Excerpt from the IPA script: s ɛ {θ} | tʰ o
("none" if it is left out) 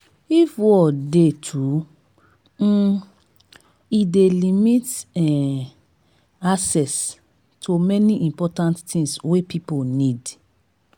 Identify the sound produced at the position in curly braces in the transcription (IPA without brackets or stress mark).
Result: s